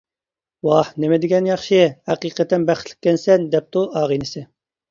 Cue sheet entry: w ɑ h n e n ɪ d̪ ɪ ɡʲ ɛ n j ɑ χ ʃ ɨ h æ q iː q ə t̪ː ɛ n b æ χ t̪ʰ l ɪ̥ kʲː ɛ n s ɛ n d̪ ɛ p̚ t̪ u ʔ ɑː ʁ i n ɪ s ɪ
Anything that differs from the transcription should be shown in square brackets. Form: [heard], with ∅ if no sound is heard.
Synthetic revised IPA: w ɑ h n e [m] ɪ d̪ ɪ ɡʲ ɛ n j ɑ χ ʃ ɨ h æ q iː q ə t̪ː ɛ n b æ χ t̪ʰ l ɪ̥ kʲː ɛ n s ɛ n d̪ ɛ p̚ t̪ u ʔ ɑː ʁ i n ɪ s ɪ